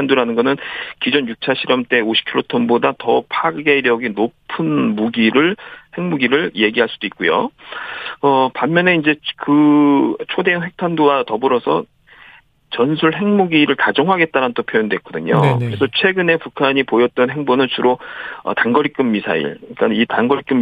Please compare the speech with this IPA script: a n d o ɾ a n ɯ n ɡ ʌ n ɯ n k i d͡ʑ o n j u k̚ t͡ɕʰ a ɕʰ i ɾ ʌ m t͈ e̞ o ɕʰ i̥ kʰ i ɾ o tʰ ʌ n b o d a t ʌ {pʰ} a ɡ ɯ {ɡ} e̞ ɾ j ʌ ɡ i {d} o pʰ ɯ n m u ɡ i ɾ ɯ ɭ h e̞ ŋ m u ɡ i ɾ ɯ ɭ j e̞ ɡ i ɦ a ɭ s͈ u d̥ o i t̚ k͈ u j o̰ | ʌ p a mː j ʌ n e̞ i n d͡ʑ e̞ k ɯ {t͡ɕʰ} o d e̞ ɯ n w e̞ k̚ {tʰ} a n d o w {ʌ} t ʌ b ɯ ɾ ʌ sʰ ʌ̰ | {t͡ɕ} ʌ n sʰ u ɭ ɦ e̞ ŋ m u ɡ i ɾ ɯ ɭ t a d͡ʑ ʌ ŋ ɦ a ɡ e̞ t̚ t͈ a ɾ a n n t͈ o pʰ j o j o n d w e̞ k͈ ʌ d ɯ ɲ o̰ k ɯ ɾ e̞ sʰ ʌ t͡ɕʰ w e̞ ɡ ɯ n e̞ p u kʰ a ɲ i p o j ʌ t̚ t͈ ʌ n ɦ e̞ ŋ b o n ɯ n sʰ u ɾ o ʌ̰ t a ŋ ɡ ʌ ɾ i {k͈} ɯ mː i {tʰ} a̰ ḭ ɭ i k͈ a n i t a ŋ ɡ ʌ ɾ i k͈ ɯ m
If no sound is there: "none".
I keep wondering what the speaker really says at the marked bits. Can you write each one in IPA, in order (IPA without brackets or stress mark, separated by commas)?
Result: pʰ, ɡ, n, t͡ɕʰ, tʰ, a, t͡ɕ, k͈, sʰ